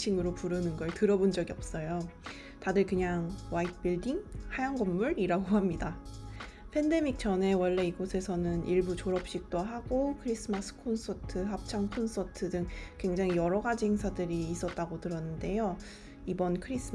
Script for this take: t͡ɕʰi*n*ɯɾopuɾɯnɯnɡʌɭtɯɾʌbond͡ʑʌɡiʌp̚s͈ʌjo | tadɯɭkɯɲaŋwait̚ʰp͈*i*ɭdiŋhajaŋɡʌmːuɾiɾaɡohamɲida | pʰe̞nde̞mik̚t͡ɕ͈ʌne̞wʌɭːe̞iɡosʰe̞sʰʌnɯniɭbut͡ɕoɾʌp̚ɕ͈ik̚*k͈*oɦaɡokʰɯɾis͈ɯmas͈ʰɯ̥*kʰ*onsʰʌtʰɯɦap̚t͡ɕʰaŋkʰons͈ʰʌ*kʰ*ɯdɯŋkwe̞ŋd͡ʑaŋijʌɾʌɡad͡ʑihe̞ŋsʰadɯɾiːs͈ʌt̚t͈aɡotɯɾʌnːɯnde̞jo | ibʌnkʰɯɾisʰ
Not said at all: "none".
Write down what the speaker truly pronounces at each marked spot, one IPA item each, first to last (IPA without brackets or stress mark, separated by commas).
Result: ŋ, i, t͈, kʰ, tʰ